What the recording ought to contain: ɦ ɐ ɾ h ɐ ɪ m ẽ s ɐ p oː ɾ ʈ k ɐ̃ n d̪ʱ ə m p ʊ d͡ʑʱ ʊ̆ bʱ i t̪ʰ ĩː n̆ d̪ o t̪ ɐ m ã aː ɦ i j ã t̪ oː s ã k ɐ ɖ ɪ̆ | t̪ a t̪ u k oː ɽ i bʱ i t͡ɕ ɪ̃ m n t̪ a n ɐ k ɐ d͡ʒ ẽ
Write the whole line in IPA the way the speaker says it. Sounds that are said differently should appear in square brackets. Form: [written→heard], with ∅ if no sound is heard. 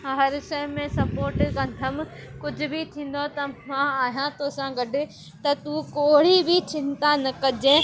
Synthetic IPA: ɦ ɐ ɾ [h→ʃ] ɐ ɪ m ẽ s ɐ p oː ɾ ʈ k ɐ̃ n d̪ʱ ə m [p→k] ʊ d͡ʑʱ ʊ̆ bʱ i t̪ʰ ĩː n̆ d̪ o t̪ ɐ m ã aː ɦ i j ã t̪ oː s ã [k→ɡ] ɐ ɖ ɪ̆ | t̪ [a→ɐ] t̪ u k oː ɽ i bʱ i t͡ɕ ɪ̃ [m→∅] n t̪ a n ɐ k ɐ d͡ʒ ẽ